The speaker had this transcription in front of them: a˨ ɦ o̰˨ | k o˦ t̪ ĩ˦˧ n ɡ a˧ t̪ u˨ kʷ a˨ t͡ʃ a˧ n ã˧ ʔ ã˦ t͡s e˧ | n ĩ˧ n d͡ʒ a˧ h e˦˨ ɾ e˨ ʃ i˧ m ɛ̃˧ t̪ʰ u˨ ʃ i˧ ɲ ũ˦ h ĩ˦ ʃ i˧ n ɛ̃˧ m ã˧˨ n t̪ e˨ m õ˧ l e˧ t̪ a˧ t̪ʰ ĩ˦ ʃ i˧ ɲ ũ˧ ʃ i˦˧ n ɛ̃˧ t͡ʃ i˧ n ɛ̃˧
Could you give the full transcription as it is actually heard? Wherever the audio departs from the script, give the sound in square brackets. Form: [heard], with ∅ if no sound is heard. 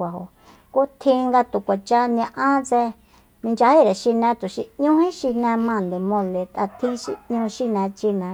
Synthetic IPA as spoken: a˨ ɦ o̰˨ | k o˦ [t̪ʰ] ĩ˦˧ [ŋ] ɡ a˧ t̪ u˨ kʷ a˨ t͡ʃ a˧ n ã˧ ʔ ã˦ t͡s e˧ | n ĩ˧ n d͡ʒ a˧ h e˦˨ ɾ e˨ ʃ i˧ [n] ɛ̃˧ [t̪] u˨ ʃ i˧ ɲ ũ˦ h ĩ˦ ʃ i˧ n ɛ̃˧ m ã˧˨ n [d̪] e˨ m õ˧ l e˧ t̪ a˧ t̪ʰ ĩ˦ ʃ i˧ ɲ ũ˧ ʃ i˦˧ n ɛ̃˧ t͡ʃ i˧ n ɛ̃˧